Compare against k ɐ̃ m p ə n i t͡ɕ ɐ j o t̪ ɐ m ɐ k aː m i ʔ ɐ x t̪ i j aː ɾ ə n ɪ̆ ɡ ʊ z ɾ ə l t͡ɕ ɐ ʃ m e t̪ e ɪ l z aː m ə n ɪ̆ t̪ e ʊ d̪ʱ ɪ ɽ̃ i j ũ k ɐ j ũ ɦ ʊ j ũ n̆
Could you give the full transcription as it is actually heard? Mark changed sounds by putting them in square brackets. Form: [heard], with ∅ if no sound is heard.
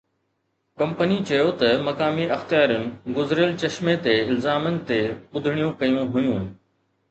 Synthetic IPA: k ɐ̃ m p ə n i t͡ɕ ɐ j o t̪ ɐ m ɐ k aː m i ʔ ɐ x t̪ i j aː ɾ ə n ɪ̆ ɡ ʊ z ɾ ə l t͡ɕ ɐ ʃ m e t̪ e ɪ l z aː m ə n ɪ̆ t̪ e ʊ d̪ʱ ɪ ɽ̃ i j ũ k ɐ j ũ ɦ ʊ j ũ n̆

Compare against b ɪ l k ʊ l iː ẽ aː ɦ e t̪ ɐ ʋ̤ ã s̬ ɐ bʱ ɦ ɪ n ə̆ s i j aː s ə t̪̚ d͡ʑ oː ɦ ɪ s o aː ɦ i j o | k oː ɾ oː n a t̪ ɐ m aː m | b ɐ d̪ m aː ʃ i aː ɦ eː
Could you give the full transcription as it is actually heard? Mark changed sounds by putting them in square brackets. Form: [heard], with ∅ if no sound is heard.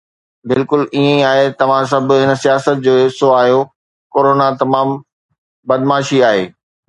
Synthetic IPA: b ɪ l k ʊ l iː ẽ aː ɦ e t̪ ɐ ʋ̤ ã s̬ ɐ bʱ ɦ ɪ n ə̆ s i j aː s ə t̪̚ d͡ʑ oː ɦ ɪ s o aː ɦ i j o | k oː ɾ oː n a t̪ ɐ m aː m | b ɐ d̪ m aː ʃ i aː ɦ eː

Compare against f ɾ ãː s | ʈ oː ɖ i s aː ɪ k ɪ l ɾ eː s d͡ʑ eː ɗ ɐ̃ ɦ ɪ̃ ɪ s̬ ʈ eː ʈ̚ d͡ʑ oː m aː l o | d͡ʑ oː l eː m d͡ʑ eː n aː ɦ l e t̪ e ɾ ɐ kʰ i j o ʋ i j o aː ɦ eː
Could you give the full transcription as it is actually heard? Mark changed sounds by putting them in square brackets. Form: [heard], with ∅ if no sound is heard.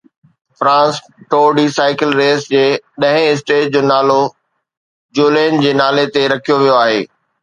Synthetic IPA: f ɾ ãː s | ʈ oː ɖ i s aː ɪ k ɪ l ɾ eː s d͡ʑ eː ɗ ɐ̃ ɦ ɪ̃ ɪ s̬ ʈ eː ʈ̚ d͡ʑ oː [n] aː l o | d͡ʑ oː l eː [n] d͡ʑ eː n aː [∅] l e t̪ e ɾ ɐ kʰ i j o ʋ i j o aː ɦ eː

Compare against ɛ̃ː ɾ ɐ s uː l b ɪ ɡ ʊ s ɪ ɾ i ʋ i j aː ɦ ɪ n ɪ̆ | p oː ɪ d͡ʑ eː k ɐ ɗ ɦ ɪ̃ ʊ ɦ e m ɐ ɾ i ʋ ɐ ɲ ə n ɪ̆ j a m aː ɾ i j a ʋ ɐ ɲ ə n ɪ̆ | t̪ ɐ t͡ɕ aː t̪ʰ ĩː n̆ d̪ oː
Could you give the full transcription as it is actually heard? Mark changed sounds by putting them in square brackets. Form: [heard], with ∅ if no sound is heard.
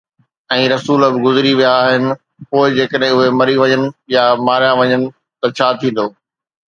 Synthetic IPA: ɛ̃ː ɾ ɐ s uː l b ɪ ɡ ʊ [z] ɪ ɾ i ʋ i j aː ɦ ɪ n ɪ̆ | p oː ɪ d͡ʑ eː k [ə] ɗ ɦ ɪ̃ ʊ ɦ e m ɐ ɾ i ʋ ɐ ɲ ə n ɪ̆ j a m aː ɾ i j a ʋ ɐ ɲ ə n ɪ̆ | t̪ ɐ [t͡ɕʰ] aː t̪ʰ ĩː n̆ d̪ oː

